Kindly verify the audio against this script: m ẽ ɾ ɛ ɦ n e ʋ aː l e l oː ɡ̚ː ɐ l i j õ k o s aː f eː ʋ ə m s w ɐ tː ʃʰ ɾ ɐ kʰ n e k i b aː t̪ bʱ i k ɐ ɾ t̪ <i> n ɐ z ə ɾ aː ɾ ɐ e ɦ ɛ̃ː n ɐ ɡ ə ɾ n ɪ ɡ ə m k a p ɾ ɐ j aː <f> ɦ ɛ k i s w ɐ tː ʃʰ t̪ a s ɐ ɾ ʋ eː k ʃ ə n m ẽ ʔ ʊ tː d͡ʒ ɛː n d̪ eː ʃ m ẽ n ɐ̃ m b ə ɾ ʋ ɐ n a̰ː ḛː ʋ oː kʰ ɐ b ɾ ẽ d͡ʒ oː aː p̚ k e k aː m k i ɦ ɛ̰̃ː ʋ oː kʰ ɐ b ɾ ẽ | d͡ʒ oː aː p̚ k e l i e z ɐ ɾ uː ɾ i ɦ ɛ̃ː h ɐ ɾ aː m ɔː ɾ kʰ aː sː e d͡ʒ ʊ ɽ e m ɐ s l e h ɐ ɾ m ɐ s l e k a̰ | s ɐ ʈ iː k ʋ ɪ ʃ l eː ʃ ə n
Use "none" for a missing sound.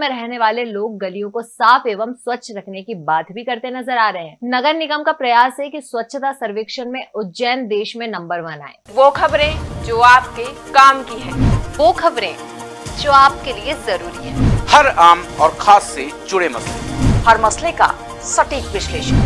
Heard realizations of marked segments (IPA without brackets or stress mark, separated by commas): e, s